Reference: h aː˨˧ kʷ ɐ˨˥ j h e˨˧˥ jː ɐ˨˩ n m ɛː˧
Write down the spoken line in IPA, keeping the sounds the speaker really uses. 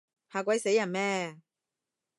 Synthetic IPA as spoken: h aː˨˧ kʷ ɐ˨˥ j s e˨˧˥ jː ɐ˨˩ n m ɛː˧